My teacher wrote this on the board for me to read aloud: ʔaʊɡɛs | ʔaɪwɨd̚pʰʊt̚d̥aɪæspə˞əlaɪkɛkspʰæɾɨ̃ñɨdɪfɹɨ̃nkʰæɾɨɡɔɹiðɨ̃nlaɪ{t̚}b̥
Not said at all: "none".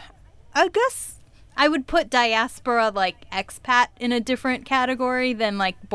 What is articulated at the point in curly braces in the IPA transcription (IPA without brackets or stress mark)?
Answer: k̚